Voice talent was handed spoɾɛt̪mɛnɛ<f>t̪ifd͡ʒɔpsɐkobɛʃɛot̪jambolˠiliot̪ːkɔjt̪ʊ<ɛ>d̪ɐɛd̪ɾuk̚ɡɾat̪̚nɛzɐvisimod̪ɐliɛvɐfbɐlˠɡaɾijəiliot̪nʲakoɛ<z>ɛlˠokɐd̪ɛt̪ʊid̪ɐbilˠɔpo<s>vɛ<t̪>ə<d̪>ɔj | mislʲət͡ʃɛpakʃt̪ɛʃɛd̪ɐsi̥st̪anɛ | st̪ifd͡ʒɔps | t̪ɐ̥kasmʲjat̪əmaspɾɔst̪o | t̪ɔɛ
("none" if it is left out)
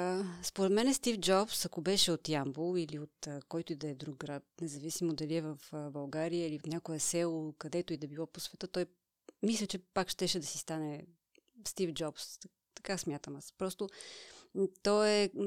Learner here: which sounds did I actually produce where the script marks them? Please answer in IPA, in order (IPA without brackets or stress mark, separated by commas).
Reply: s, i, s, s, t̪, t̪